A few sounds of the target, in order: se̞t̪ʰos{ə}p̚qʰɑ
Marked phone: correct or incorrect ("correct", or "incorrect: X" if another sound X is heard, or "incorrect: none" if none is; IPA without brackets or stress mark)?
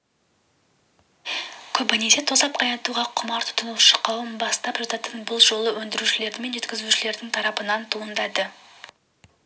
incorrect: ɑ